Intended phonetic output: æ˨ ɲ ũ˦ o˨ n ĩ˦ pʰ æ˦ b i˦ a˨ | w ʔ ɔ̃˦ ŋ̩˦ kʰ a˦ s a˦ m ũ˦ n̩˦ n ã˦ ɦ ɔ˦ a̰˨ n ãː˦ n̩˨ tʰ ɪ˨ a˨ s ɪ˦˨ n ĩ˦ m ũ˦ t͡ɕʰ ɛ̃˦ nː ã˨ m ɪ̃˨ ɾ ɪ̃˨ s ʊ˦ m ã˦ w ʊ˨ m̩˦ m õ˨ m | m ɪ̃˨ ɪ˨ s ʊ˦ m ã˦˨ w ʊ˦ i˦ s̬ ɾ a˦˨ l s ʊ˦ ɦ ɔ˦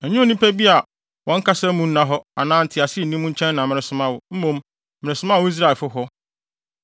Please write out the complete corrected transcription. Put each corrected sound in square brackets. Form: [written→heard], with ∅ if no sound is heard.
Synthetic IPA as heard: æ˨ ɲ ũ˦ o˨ n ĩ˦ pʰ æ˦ b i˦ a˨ | w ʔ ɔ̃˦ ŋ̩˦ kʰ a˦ s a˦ m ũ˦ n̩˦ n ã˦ ɦ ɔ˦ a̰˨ n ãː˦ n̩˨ tʰ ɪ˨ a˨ s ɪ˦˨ n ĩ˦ m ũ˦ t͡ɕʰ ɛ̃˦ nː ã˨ m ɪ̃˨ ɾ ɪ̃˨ s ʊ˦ m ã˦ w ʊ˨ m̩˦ m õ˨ m | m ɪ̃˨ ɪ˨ s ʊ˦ m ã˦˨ w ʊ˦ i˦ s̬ ɾ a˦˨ l [s→f] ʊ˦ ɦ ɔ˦